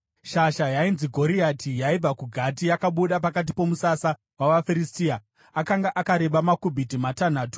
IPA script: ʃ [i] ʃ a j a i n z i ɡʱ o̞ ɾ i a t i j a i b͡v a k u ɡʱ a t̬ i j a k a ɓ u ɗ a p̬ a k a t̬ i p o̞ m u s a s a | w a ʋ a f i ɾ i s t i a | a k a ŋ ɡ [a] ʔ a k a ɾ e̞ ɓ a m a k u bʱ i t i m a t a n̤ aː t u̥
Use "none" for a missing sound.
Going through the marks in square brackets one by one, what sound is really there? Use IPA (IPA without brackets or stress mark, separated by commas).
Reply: a, a